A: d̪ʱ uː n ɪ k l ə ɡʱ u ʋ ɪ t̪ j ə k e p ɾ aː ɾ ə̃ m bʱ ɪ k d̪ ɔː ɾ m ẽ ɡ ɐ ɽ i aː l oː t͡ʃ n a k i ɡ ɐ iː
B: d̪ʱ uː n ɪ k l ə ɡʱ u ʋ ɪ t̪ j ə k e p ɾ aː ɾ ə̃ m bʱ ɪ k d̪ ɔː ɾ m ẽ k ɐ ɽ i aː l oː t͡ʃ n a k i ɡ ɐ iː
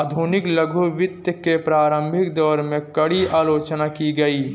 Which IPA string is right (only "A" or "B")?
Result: B